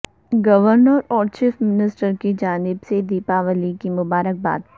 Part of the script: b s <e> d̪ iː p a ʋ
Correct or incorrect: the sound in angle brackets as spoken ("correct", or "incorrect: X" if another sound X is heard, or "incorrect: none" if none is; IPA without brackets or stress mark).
correct